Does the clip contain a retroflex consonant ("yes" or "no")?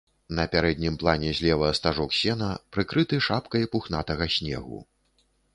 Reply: yes